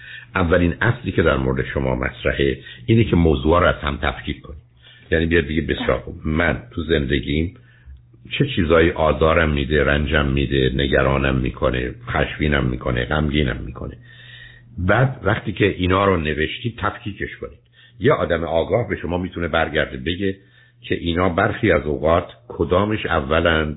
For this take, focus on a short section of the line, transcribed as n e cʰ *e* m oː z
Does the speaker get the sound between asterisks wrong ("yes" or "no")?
no